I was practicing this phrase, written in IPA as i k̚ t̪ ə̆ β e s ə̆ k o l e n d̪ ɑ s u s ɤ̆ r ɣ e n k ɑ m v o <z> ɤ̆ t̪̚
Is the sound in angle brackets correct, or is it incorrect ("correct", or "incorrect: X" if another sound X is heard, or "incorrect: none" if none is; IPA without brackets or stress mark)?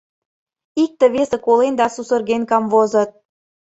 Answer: correct